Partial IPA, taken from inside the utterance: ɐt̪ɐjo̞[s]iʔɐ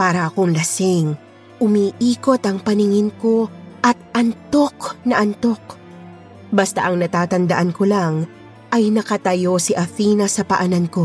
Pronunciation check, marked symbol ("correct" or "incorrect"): correct